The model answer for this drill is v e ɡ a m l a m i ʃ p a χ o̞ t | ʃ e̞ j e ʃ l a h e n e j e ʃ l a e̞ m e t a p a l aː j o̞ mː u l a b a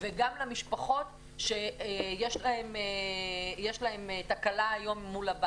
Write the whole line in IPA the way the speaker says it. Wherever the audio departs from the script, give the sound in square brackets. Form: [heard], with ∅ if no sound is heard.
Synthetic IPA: v e ɡ a m l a m i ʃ p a χ o̞ t | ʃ e̞ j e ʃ l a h e [m] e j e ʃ l a e̞ m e t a [k] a l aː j o̞ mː u l a b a